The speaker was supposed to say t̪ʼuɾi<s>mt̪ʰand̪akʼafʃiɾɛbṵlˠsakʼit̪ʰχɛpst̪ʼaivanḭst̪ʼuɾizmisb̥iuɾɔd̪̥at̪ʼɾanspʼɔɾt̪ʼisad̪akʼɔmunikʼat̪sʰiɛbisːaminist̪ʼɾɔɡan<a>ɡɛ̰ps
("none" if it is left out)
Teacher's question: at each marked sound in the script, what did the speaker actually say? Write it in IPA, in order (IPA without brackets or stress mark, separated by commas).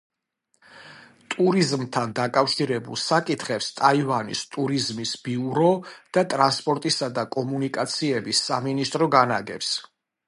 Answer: z, a